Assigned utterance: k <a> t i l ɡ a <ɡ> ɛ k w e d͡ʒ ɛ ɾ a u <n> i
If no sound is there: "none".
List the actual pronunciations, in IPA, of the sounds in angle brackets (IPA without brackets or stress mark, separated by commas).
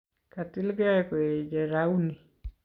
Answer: a, none, n